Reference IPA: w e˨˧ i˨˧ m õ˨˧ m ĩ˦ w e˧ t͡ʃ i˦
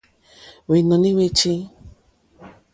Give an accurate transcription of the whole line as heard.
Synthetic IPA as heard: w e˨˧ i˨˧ n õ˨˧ n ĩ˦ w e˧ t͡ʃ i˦